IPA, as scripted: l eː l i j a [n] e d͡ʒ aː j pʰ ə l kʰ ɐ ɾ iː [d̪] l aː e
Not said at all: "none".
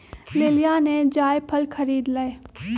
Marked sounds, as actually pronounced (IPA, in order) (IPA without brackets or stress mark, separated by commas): n, d̪